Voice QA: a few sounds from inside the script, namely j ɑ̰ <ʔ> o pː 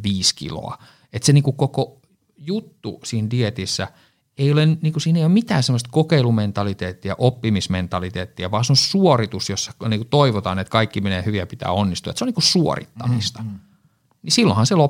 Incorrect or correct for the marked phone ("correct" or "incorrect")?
correct